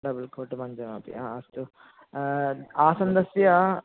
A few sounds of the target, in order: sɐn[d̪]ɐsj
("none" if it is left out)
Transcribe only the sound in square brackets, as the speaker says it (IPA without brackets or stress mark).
d̪